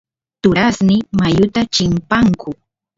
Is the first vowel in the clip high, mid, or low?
high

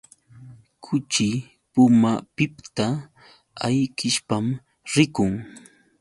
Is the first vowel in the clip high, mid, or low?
high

